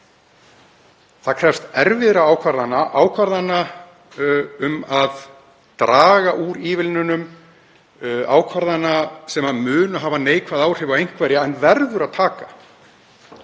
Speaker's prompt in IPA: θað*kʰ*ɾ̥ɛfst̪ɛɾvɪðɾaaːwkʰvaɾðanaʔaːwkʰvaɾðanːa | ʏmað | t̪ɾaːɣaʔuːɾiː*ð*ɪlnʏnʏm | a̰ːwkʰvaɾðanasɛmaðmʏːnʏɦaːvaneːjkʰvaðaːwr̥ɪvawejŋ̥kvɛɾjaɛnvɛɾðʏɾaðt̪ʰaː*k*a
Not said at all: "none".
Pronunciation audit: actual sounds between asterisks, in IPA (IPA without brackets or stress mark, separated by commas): kʰ, v, k